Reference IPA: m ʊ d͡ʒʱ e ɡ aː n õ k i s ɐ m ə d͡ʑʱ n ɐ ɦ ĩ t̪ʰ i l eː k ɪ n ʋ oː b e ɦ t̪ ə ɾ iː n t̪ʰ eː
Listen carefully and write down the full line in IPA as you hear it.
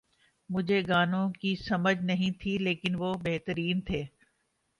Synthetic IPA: m ʊ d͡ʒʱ e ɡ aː n õ k i s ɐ m ə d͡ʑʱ n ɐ ɦ ĩ t̪ʰ i l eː k ɪ n ʋ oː b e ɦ t̪ ə ɾ iː n t̪ʰ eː